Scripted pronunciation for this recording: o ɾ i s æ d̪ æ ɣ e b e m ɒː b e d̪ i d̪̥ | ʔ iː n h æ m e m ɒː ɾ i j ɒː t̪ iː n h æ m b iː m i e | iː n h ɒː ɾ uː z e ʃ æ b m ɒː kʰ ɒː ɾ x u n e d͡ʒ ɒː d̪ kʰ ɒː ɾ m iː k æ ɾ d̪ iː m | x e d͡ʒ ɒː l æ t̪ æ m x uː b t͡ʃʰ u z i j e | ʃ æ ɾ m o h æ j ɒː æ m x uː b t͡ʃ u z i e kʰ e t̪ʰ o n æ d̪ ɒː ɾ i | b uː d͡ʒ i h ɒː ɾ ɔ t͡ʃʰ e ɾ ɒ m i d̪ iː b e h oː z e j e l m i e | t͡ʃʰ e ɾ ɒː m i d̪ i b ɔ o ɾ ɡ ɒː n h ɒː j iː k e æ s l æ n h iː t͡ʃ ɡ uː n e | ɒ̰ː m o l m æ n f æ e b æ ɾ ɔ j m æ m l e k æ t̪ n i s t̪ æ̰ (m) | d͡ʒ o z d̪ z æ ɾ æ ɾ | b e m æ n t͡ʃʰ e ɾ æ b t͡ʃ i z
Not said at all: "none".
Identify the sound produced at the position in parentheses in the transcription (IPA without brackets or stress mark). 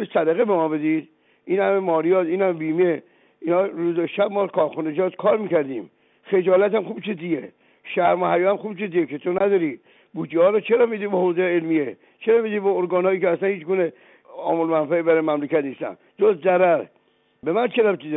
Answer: n